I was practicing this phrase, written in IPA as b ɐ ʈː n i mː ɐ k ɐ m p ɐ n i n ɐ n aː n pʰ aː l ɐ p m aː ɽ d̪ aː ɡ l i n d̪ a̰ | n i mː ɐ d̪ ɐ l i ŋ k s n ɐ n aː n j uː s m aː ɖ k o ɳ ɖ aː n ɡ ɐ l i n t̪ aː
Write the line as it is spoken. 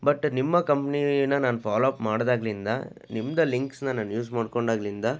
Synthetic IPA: b ɐ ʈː n i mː ɐ k ɐ m p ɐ n i n ɐ n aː n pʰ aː l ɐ p m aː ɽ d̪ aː ɡ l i n d̪ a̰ | n i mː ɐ d̪ ɐ l i ŋ k s n ɐ n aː n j uː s m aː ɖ k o ɳ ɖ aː ɡ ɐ l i n d̪ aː